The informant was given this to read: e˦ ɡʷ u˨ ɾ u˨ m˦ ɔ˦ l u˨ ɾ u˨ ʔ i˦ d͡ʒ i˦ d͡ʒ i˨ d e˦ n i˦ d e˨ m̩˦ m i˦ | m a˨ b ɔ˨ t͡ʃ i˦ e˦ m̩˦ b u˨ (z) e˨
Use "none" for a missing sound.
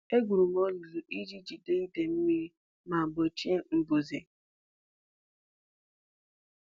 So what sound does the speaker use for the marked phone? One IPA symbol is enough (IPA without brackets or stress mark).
z